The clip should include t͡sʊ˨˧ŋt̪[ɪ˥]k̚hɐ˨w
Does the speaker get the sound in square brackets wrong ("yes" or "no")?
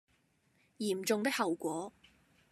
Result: no